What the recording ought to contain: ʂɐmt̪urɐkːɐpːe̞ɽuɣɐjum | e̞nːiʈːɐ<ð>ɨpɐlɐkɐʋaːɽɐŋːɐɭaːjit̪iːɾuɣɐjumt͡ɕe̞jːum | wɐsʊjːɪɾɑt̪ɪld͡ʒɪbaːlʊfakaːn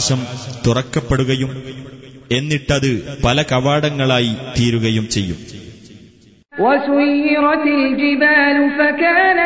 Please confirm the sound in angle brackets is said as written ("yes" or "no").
yes